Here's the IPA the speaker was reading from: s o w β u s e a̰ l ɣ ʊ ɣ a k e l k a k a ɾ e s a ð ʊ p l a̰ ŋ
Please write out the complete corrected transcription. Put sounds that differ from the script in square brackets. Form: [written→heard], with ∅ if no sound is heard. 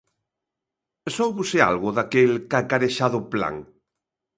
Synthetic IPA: s o w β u s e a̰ l ɣ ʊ [ɣ→ð] a k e l k a k a ɾ e [s→ʃ] a ð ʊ p l a̰ ŋ